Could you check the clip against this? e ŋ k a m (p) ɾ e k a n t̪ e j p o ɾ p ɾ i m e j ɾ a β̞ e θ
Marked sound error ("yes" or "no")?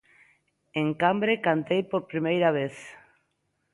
yes